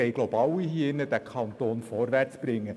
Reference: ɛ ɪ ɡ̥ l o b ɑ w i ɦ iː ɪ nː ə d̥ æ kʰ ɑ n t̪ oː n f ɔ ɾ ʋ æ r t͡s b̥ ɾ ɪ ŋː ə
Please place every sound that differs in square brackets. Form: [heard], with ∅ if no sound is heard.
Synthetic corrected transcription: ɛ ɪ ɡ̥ l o b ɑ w i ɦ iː ɪ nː ə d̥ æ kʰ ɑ n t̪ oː n f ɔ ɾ ʋ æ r t͡s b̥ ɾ ɪ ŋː ə